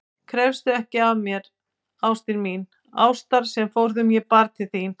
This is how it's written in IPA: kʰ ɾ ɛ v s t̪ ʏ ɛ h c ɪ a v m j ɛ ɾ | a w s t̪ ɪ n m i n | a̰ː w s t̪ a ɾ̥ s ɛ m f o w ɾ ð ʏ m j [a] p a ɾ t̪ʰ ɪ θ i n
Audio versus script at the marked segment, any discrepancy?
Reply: yes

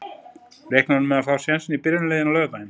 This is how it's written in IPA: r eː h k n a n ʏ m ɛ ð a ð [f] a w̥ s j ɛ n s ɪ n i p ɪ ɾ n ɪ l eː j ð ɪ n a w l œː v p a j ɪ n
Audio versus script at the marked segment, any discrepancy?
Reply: no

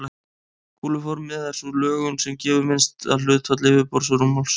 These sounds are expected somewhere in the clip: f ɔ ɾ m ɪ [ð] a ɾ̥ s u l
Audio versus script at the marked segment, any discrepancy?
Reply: no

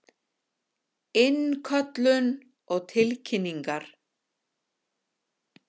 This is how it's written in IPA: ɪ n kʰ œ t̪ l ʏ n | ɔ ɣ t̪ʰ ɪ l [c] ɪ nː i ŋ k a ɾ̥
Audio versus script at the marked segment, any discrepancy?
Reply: yes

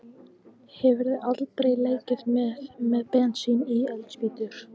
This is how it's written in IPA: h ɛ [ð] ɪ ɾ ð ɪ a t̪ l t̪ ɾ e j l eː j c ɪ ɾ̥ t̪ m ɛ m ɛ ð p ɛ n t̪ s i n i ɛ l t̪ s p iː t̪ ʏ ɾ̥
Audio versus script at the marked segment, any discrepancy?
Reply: yes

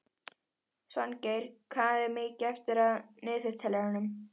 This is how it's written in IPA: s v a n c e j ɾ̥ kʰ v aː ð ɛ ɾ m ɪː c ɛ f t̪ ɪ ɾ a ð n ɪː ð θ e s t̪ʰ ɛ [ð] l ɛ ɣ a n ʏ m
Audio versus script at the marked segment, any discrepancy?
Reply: yes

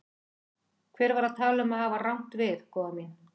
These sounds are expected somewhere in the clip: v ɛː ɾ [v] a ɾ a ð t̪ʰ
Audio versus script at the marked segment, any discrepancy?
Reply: no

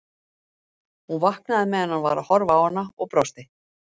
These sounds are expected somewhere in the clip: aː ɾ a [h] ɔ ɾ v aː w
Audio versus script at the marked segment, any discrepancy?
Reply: no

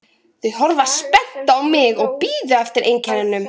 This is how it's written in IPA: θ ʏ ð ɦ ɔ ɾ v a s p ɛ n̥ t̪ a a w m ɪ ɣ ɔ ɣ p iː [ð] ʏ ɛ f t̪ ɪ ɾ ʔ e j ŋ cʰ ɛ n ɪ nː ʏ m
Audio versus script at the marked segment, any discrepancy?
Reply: no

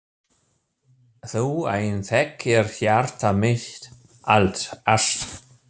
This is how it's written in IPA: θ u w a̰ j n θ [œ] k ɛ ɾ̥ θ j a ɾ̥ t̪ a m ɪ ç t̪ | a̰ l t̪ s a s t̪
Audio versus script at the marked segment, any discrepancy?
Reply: yes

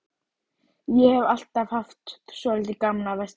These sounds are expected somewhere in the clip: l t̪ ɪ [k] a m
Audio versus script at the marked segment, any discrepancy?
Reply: no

